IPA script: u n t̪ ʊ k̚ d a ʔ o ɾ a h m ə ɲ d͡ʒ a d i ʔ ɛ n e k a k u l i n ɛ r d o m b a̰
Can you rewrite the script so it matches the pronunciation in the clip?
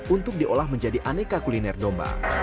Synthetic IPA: u n t̪ ʊ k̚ d i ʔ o l a h m ə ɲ d͡ʒ a d i ʔ a n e k a k u l i n ɛ r d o m b a̰